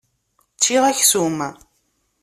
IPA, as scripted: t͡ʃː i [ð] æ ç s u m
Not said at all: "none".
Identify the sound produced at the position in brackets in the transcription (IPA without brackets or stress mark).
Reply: ʁ